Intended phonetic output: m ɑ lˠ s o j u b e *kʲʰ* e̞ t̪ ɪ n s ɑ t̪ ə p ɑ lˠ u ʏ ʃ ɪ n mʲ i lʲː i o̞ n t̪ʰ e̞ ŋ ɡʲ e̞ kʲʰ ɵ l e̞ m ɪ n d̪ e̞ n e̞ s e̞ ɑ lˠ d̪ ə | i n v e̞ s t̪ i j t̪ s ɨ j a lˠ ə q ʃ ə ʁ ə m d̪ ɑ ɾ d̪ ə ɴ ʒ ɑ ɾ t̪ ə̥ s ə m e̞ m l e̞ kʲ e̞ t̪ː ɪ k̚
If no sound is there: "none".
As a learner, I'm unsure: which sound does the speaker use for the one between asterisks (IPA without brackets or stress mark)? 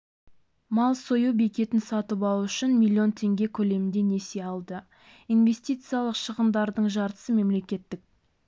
kʲ